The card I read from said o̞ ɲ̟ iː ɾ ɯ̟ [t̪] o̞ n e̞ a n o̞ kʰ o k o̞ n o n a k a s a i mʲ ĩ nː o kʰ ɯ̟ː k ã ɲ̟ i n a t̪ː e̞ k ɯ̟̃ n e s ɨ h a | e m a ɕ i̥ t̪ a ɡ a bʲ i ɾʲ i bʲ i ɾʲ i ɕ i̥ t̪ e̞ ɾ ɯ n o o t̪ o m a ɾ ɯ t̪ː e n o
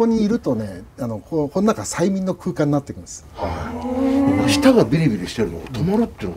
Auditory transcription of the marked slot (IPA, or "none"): t̪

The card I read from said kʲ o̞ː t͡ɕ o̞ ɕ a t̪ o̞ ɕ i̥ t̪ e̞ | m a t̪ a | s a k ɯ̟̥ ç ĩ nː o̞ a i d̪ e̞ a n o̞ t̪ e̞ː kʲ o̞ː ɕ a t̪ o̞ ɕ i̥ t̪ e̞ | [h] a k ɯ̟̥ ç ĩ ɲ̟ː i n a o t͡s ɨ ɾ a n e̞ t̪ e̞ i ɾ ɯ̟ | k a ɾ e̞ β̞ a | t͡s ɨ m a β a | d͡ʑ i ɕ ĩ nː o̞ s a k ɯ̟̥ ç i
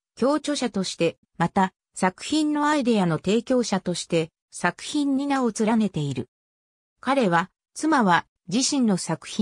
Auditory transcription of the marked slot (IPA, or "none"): s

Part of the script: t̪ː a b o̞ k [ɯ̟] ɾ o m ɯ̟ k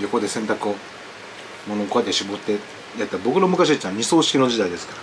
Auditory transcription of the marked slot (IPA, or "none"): ɯ̟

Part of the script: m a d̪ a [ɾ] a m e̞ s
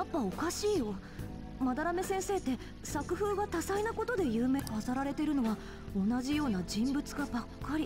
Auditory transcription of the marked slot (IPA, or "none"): ɾ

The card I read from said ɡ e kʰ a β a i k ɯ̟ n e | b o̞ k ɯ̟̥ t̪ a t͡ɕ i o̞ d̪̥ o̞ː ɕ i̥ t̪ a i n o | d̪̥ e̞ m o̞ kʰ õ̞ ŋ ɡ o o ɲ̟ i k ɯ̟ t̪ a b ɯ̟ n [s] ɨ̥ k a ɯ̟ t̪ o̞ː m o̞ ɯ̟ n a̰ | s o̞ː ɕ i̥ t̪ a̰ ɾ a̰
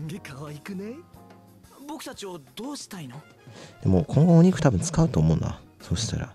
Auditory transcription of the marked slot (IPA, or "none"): t͡s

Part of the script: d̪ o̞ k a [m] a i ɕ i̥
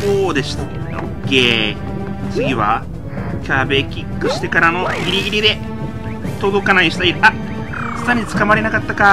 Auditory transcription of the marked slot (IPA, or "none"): n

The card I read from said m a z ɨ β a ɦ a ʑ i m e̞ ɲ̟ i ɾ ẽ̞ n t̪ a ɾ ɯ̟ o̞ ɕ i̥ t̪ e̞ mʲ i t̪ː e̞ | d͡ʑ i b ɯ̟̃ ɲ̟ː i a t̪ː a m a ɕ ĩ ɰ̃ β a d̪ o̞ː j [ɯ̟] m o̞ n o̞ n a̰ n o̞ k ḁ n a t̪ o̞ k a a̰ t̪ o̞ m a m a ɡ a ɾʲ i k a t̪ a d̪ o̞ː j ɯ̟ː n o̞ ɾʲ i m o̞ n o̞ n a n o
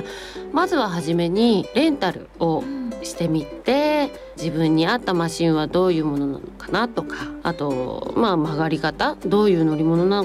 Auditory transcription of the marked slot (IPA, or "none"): ɯ̟ː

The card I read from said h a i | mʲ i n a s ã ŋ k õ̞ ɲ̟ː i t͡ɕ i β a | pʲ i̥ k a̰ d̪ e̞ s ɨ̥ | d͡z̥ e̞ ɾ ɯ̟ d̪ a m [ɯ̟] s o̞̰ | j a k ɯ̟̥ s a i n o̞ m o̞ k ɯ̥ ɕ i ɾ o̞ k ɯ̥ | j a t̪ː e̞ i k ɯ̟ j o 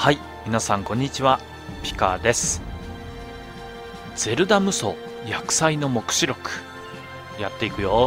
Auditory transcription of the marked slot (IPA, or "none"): ɯ̟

